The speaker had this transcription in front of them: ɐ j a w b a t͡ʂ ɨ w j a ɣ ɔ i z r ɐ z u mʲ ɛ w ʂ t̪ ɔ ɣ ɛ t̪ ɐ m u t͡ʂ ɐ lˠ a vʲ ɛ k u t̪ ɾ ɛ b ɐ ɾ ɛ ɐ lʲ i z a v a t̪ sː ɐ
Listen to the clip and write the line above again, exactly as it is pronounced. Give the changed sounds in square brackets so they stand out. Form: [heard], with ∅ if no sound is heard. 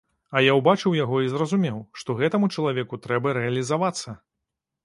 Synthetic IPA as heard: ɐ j a w b a t͡ʂ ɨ w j a ɣ ɔ i z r ɐ z u mʲ ɛ w ʂ t̪ ɔ ɣ ɛ t̪ ɐ m u t͡ʂ ɐ lˠ a vʲ ɛ k u t̪ ɾ ɛ b ɐ ɾ ɛ ɐ lʲ i z a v a t̪ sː ɐ